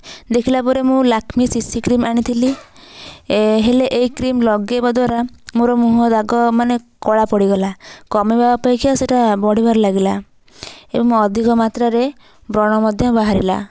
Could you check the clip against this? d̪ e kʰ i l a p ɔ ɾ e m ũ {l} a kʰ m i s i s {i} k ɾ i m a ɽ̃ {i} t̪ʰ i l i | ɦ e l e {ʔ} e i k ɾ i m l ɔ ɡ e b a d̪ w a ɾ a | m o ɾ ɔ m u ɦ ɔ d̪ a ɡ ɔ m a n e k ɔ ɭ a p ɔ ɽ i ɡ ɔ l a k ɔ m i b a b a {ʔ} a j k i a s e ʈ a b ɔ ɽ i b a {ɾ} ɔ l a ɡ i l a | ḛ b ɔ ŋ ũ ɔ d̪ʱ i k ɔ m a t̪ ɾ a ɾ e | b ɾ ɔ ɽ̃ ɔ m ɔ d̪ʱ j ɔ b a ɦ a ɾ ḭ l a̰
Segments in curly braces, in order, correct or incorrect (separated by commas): correct, correct, correct, correct, incorrect, correct